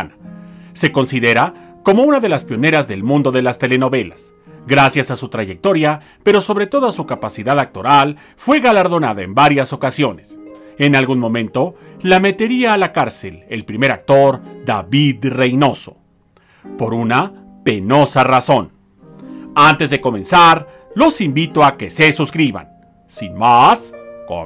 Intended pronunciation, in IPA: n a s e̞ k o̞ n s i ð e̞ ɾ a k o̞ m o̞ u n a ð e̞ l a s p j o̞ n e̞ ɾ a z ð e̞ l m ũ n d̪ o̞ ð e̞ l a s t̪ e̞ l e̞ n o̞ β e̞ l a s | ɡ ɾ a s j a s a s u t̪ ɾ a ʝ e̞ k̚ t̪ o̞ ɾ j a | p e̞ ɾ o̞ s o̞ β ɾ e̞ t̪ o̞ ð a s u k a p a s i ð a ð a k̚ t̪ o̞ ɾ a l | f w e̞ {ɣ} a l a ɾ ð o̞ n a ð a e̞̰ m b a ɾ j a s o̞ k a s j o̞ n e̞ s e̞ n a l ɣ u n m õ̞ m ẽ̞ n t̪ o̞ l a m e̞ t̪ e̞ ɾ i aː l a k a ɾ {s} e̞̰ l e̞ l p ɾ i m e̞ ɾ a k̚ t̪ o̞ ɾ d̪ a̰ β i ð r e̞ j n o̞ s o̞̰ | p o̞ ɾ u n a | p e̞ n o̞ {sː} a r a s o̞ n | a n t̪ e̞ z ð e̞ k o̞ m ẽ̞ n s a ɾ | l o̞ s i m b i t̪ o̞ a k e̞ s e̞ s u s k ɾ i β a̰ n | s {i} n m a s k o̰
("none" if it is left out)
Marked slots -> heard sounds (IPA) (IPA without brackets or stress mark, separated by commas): ɣ, s, s, i